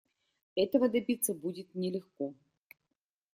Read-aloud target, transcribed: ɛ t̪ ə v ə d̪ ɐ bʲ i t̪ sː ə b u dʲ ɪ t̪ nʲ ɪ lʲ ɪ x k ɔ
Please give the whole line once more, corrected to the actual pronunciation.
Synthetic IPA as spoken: ɛ t̪ ə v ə d̪ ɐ bʲ i t̪ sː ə b u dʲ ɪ t̪ nʲ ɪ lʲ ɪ x k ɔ